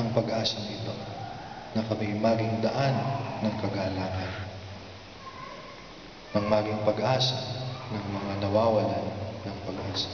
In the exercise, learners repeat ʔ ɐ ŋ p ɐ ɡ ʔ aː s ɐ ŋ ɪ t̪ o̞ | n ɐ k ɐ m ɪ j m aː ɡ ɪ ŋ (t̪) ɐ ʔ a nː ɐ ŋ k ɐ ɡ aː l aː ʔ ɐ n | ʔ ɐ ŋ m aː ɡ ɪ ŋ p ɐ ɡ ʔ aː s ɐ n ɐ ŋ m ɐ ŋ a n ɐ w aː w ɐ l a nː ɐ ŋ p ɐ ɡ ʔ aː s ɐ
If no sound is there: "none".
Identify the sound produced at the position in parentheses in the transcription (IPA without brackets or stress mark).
d̪